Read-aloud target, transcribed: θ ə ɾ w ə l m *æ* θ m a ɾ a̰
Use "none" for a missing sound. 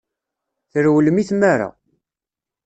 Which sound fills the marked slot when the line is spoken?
i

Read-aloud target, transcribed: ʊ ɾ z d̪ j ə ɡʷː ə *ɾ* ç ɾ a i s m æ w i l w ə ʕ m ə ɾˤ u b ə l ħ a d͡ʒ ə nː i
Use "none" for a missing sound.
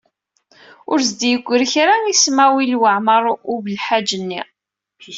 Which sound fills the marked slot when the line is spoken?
ɾ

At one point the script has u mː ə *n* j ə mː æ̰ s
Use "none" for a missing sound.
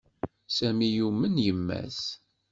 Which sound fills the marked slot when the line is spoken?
n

